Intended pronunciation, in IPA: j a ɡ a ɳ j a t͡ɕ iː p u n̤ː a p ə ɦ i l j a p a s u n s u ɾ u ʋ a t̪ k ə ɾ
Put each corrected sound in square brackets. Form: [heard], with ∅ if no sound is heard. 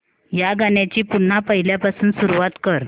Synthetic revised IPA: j a ɡ a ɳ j a t͡ɕ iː p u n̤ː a p ə ɦ i l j a p a s [uː] n s u ɾ u ʋ a t̪ k ə ɾ